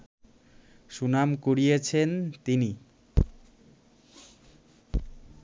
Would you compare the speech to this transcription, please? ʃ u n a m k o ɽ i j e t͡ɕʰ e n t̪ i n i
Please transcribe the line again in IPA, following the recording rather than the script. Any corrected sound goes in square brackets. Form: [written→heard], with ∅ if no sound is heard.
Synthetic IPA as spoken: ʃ u n a m k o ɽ i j e t͡ɕʰ e n t̪ i n i